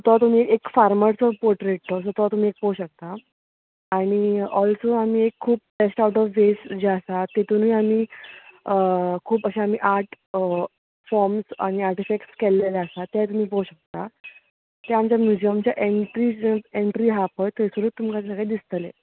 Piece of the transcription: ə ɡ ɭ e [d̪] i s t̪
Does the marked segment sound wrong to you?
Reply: no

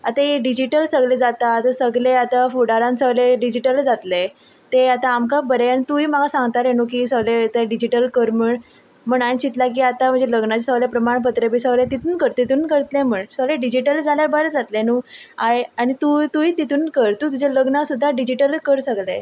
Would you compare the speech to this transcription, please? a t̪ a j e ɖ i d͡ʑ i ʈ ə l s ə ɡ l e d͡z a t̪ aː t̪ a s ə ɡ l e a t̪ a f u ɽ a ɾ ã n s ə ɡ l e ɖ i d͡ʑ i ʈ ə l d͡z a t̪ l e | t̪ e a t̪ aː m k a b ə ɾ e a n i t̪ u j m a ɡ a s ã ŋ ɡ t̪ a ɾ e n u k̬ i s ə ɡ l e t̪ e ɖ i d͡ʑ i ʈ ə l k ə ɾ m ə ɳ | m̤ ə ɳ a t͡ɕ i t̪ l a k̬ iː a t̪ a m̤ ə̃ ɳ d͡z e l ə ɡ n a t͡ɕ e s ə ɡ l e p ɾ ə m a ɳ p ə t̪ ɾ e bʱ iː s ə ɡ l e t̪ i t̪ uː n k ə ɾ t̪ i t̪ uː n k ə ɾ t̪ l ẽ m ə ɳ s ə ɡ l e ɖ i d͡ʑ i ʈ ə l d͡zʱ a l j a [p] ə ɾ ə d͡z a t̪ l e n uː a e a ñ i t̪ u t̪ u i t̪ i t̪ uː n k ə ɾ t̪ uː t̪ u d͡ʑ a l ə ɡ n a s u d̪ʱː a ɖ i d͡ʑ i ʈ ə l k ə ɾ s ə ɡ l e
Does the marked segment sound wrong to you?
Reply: yes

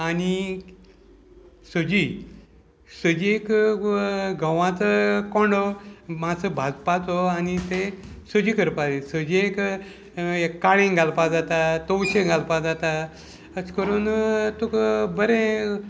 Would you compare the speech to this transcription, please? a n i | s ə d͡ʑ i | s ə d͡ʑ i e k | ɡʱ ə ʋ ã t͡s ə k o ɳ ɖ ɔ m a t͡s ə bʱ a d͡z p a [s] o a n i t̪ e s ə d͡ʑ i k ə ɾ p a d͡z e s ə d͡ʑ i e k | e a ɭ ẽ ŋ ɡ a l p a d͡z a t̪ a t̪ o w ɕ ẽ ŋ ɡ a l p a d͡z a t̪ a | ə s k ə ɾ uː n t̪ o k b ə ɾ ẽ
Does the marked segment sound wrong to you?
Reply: yes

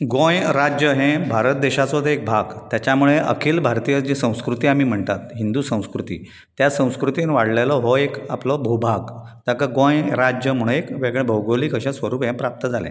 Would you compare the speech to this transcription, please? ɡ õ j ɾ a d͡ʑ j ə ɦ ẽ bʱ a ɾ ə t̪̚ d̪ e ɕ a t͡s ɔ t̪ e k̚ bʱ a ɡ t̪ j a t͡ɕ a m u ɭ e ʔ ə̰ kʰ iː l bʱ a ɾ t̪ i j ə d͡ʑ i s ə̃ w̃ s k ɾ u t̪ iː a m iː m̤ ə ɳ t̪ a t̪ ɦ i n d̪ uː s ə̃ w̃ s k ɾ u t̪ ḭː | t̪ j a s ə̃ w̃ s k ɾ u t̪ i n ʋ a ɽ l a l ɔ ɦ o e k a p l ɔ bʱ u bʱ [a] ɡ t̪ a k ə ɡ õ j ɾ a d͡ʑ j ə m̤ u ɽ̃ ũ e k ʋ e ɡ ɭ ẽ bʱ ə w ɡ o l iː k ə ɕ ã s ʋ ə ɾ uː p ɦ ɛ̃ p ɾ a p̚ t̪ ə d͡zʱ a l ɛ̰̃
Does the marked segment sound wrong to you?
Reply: no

